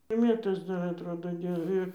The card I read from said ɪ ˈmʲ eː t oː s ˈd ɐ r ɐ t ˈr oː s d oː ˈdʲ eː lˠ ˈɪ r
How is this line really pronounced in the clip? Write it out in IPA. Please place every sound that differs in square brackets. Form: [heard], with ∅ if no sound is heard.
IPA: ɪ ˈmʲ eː t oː s ˈd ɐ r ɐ t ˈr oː [∅] d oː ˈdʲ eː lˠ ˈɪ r